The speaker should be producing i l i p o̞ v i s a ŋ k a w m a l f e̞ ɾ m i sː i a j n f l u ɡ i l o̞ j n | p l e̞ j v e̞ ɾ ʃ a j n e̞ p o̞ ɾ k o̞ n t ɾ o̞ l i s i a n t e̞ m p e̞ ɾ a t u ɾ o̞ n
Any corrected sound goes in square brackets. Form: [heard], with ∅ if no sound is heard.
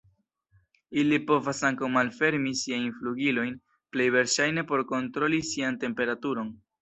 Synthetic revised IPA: i l i p o̞ v [a] s a ŋ k a w m a l f e̞ ɾ m i [s] i a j n f l u ɡ i l o̞ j n | p l e̞ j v e̞ ɾ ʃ a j n e̞ p o̞ ɾ k o̞ n t ɾ o̞ l i s i a n t e̞ m p e̞ ɾ a t u ɾ o̞ n